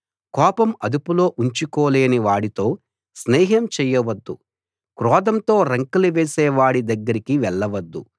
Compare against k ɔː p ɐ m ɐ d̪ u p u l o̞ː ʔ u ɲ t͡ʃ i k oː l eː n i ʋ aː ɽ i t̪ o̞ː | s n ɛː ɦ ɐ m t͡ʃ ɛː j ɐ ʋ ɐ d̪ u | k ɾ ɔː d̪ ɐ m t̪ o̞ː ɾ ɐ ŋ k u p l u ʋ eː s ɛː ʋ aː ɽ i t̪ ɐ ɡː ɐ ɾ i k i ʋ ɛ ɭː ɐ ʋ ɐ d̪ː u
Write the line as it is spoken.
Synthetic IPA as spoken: k ɔː p ɐ m ɐ d̪ u p u l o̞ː ʔ u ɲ t͡ʃ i k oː l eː n i ʋ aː ɽ i t̪ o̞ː | s n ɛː ɦ ɐ m t͡ʃ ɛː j ɐ ʋ ɐ d̪ː u | k ɾ ɔː d̪ ɐ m t̪ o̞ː ɾ ɐ ŋ k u l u ʋ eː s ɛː ʋ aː ɽ i d̪ ɐ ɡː ɐ ɾ i k i ʋ ɛ ɭː ɐ ʋ ɐ d̪ː u

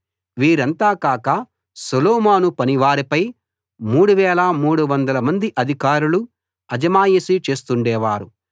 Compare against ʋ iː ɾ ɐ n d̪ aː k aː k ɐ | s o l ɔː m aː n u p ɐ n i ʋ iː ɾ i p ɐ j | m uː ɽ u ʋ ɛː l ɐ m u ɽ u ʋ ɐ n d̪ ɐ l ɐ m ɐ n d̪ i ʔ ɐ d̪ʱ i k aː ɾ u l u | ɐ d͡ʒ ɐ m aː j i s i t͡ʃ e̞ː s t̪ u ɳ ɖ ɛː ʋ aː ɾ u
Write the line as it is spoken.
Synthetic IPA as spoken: ʋ iː ɾ ɐ n t̪ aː k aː k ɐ | s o l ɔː m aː n u p ɐ n i ʋ aː ɾ i p ɐ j | m uː ɽ u ʋ ɛː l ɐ m uː ɽ u ʋ ɐ n d̪ ɐ l ɐ m ɐ n d̪ i ʔ ɐ d̪ʱ i k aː ɾ u l u | ɐ d͡ʒ ɐ m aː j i s i t͡ʃ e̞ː s t̪ u ɳ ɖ ɛː ʋ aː ɾ u

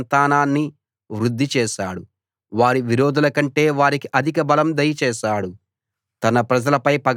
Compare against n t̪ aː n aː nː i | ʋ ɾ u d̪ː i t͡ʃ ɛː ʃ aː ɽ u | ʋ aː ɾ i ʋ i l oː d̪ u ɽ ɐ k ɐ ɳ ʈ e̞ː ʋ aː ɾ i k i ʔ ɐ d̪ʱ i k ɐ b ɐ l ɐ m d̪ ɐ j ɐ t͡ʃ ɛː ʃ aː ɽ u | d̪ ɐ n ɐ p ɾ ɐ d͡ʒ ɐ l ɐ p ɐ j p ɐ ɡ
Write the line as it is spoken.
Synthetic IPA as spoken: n t̪ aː n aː nː i | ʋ ɾ u d̪ː i t͡ʃ ɛː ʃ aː ɽ u | ʋ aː ɾ i ʋ i ɾ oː d̪ u l ɐ k ɐ ɳ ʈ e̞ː ʋ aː ɾ i k i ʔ ɐ d̪ʱ i k ɐ b ɐ l ɐ m d̪ ɐ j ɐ t͡ʃ ɛː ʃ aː ɽ u | t̪ ɐ n ɐ p ɾ ɐ d͡ʒ ɐ l ɐ p ɐ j p ɐ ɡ

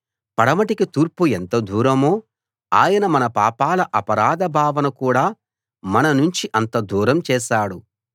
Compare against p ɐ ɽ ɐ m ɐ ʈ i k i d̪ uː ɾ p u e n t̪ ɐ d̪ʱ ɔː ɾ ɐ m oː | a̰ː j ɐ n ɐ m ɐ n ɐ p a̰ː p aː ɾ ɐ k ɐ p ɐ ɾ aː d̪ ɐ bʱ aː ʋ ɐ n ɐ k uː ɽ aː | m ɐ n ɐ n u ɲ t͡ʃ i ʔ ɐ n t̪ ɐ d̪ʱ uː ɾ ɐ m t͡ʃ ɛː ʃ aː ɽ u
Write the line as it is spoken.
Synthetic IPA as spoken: p ɐ ɽ ɐ m ɐ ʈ i k i t̪ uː ɾ p u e n t̪ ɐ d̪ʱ uː ɾ ɐ m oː | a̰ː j ɐ n ɐ m ɐ n ɐ p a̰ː p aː l ɐ ʔ ɐ p ɐ ɾ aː d̪ ɐ bʱ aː ʋ ɐ n ɐ k uː ɽ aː | m ɐ n ɐ n u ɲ t͡ʃ i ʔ ɐ n t̪ ɐ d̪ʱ uː ɾ ɐ m t͡ʃ ɛː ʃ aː ɽ u

